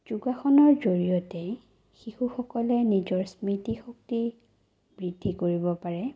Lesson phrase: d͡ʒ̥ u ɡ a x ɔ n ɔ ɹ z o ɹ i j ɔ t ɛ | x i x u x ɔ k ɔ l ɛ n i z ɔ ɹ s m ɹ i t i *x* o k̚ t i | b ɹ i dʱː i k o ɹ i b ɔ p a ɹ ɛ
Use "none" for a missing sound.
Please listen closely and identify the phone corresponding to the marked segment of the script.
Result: x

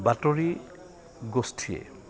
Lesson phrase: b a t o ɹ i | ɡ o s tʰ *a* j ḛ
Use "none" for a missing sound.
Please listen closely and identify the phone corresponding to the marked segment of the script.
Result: i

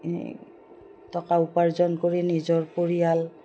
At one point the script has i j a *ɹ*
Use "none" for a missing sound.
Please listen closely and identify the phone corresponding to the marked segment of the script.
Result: l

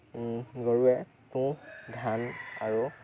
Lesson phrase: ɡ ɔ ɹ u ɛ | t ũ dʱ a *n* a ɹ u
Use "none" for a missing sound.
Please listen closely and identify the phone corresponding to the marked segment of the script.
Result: n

